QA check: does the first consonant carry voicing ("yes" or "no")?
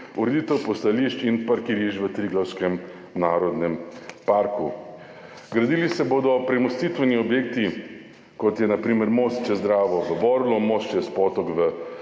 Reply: yes